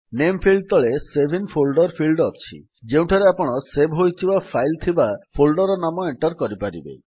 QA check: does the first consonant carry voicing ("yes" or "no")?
yes